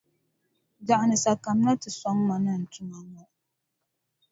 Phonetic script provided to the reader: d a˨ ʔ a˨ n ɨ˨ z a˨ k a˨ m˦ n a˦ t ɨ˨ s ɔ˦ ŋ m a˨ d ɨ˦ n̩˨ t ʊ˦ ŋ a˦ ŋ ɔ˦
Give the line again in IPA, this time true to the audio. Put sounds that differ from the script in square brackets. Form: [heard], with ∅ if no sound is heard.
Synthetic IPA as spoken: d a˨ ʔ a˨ n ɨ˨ [s] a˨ k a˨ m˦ n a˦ t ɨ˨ s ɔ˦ ŋ m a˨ [n] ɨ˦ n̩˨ t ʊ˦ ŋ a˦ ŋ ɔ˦